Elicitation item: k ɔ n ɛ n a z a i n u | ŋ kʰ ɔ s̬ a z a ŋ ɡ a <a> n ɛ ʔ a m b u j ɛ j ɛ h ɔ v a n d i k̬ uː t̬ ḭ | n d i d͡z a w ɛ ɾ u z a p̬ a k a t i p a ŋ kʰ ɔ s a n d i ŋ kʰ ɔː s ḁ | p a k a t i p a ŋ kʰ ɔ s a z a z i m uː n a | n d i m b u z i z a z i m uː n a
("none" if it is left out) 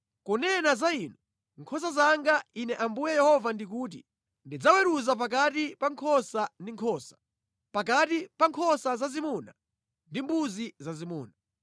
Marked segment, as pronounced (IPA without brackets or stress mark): i